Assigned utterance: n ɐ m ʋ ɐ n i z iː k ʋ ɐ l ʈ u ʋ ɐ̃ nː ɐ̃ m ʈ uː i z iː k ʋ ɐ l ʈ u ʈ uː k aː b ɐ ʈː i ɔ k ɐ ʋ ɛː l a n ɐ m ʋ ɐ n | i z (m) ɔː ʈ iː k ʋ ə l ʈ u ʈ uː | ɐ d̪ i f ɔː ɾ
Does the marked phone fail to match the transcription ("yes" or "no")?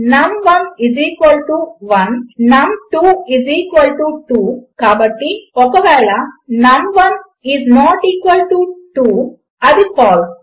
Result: yes